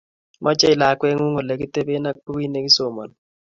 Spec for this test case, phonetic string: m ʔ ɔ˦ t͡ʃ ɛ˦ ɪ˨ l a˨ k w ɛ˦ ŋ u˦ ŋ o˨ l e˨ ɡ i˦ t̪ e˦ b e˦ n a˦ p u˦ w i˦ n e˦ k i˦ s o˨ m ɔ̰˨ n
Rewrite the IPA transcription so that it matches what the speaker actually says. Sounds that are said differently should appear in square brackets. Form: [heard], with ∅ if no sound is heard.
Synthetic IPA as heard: m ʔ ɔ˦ t͡ʃ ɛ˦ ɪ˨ l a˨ k w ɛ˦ ŋ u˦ ŋ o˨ l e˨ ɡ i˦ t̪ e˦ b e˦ n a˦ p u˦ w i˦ n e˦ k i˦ s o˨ m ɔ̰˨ n

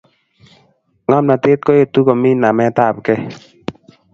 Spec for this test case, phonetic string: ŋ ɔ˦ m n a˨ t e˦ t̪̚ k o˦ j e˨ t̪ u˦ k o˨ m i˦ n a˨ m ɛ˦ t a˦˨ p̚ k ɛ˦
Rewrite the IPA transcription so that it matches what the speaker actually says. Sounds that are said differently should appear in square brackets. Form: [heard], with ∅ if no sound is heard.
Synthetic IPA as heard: ŋ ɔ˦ m n a˨ t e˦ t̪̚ k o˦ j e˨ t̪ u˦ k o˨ m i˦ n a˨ m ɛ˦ t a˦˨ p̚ k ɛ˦

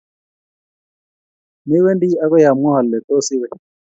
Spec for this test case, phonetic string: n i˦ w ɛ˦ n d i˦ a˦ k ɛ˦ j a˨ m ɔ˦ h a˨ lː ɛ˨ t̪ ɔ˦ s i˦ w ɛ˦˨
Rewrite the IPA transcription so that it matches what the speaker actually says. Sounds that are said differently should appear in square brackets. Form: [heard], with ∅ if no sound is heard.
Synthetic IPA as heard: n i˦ w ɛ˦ n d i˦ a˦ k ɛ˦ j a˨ m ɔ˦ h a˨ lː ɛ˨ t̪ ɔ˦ s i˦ w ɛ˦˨

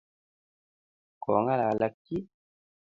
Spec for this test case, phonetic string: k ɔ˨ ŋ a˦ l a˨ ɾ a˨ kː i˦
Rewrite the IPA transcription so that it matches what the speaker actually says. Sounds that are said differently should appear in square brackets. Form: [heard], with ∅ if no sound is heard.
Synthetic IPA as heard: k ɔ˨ ŋ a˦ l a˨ [l] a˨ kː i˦

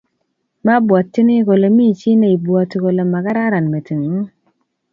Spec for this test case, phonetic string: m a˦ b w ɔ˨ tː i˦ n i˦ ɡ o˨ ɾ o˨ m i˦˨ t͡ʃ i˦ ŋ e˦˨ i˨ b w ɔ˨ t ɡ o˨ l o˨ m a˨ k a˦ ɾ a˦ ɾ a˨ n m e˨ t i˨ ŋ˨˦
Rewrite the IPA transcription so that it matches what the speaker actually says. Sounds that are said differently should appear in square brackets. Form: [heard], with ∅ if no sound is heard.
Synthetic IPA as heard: m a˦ b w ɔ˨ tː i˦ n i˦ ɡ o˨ [l] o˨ m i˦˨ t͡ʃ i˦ [n] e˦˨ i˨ b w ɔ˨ t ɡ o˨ l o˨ m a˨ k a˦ ɾ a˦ ɾ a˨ n m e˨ t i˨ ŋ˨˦

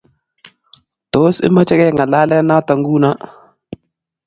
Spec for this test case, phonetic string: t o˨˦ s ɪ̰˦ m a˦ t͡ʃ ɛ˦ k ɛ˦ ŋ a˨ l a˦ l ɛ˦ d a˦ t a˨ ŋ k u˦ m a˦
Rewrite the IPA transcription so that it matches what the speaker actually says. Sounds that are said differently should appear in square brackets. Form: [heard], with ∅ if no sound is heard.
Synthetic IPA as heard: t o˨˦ s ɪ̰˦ m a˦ t͡ʃ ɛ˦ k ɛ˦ ŋ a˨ l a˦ l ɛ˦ [n] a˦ t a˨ ŋ [ɡ] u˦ [n] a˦

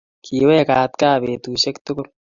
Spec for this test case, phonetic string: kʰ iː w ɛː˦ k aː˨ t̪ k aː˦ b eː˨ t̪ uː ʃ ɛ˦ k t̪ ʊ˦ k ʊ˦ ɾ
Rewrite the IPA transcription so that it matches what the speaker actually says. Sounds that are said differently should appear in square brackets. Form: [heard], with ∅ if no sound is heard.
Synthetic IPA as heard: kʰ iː w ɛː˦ k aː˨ t̪ k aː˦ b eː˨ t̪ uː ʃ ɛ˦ k t̪ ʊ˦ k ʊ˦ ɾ

